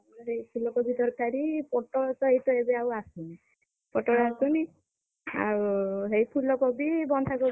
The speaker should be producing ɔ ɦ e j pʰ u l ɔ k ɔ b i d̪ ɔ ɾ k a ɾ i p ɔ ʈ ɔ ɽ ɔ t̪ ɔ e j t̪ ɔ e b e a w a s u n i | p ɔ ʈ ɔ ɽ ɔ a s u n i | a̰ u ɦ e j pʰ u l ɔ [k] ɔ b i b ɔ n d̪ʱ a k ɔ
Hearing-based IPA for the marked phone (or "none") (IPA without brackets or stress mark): k